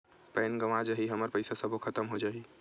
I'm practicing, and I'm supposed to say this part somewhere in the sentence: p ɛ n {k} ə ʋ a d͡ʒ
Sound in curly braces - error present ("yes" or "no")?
yes